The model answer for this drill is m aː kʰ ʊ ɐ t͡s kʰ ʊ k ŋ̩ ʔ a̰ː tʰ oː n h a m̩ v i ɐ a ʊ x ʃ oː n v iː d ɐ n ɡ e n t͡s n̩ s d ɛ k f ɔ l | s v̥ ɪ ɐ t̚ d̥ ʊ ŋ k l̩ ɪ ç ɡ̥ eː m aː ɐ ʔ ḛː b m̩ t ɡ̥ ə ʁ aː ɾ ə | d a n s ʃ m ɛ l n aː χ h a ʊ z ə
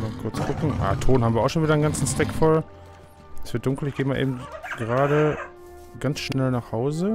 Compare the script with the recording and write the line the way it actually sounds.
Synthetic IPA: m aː kʰ ʊ ɐ t͡s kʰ ʊ k ŋ̩ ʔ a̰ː tʰ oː n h a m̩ v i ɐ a ʊ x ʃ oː n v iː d ɐ n ɡ a n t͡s n̩ s t ɛ k f ɔ l | s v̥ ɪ ɐ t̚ d̥ ʊ ŋ k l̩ ɪ ç ɡ̥ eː m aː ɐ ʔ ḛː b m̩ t ɡ̥ ə ʁ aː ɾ ə | ɡ a n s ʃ n ɛ l n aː χ h a ʊ z ə